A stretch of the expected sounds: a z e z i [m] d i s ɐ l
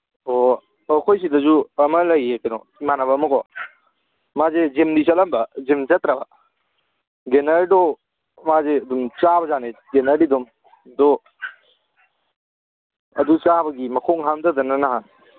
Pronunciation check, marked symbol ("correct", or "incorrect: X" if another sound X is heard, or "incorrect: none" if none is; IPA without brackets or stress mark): correct